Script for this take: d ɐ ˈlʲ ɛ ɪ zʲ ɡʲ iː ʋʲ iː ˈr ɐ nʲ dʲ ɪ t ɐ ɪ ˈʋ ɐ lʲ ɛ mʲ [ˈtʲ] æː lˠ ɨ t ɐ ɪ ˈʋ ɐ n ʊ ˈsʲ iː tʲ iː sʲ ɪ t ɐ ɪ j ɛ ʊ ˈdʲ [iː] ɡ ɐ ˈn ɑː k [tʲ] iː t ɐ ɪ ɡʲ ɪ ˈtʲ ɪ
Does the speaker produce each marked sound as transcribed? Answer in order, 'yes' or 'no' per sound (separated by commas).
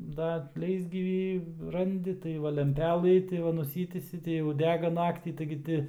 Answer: no, no, yes